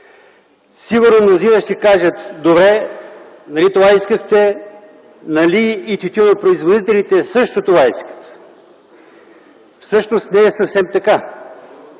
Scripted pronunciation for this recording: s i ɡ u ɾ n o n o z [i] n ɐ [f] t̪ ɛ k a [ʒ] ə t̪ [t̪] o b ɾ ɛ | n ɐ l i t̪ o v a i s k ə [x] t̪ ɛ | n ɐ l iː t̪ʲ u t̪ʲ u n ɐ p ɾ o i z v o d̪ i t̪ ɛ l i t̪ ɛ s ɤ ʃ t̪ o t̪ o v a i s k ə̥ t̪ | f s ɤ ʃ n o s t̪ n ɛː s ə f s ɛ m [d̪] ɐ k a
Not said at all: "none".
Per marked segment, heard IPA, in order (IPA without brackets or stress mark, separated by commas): i, ʃ, ʒ, d̪, x, t̪